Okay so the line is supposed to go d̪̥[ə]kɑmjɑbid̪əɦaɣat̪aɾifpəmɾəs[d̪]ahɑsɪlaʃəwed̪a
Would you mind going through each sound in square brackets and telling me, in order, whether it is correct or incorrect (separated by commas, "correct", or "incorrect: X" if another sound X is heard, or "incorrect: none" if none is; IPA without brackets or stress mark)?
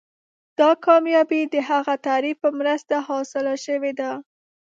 incorrect: ɑ, incorrect: t̪